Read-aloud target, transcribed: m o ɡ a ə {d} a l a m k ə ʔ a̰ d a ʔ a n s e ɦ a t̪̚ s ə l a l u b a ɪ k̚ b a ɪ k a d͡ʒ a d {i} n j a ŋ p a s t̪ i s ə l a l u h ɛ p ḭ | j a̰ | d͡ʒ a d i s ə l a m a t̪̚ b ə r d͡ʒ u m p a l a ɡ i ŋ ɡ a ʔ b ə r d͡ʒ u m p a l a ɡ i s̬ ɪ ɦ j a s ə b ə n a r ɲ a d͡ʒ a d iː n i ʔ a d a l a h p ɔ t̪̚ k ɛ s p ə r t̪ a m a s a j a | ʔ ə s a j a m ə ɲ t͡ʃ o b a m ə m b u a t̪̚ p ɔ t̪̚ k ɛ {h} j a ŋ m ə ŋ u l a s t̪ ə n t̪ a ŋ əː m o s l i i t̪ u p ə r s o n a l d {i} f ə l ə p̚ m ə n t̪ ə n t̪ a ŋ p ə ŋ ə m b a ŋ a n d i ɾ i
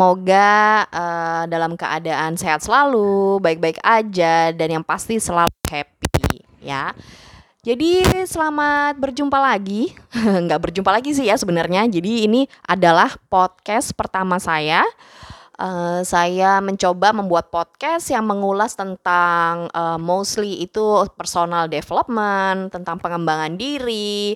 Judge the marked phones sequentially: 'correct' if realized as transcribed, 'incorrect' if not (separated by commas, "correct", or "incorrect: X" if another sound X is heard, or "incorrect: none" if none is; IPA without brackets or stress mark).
correct, incorrect: a, incorrect: s, incorrect: e